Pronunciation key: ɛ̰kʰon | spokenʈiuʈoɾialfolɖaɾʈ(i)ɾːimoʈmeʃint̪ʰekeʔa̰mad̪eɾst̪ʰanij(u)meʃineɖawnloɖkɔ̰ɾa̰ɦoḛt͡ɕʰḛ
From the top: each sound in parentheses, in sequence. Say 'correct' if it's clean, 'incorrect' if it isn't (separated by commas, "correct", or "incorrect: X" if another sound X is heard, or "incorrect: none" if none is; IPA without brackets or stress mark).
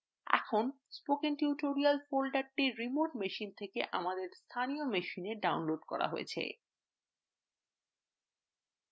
correct, incorrect: o